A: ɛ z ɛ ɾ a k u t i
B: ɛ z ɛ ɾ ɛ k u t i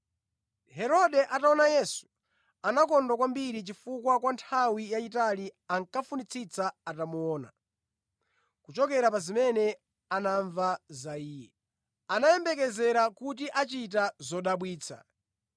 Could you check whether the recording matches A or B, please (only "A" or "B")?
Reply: A